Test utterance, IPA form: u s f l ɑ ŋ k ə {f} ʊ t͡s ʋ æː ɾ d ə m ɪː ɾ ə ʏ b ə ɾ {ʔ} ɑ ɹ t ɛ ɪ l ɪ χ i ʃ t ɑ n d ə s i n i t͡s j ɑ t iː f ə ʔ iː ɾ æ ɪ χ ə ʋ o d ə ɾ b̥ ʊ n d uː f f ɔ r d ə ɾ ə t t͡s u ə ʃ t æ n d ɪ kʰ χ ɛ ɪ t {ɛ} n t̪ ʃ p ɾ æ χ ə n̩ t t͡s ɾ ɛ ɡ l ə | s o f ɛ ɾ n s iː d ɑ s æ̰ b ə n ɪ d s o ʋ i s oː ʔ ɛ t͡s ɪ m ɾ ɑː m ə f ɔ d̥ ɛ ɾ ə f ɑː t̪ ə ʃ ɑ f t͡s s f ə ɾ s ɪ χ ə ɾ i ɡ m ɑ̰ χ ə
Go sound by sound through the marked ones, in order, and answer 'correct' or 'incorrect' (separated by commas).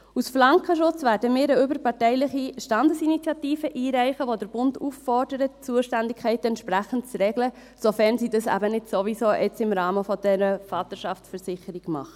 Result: incorrect, incorrect, correct